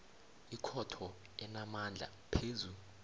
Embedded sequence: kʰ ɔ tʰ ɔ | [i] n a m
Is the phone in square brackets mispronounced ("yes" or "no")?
yes